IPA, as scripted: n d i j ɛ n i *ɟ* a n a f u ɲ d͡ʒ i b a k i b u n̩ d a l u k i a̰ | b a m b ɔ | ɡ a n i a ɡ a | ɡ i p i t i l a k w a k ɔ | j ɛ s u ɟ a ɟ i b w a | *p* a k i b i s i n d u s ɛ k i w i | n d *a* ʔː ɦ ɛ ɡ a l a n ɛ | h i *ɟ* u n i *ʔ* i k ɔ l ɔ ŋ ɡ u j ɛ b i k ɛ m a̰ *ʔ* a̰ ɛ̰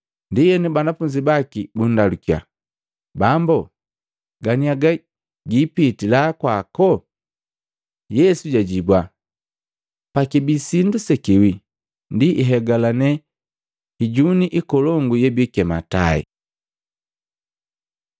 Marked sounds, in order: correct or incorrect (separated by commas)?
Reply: incorrect, correct, incorrect, correct, correct, incorrect